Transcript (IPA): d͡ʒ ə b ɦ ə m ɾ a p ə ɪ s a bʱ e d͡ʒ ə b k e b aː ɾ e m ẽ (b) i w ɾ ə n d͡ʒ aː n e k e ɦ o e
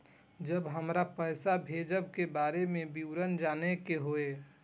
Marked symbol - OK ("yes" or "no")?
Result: yes